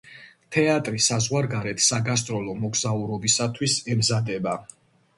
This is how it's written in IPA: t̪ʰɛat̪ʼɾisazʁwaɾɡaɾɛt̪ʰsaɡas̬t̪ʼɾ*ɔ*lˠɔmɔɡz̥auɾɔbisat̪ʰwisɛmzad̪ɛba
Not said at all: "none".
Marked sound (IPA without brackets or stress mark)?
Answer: ɔ